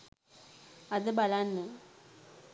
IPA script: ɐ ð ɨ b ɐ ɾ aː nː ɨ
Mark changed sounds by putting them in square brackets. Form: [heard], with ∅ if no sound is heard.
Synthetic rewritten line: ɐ ð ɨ b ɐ [l] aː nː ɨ